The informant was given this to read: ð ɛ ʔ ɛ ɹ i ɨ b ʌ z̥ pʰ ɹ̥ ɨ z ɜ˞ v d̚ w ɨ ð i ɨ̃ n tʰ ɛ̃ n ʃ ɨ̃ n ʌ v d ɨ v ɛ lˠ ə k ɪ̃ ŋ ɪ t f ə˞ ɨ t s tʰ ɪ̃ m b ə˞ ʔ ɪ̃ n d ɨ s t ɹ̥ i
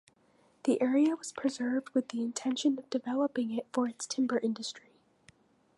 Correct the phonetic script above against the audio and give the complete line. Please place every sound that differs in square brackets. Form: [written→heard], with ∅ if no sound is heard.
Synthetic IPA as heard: ð [ɛ→i] ʔ ɛ ɹ i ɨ [b→w] ʌ z̥ pʰ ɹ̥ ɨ z ɜ˞ v d̚ w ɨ ð i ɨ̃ n tʰ ɛ̃ n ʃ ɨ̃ n ʌ v d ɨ v ɛ lˠ ə [k→p] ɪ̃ ŋ ɪ t f ə˞ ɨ t s tʰ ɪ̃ m b ə˞ ʔ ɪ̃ n d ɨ s t ɹ̥ i